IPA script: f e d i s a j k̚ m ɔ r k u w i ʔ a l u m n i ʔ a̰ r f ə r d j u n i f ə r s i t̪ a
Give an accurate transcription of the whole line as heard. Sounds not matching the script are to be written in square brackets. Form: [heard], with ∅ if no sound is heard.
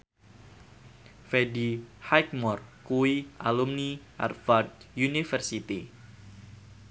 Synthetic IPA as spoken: f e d i [h] a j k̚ m ɔ r k u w i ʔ a l u m n i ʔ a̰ r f [a] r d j u n i f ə r s i t̪ [i]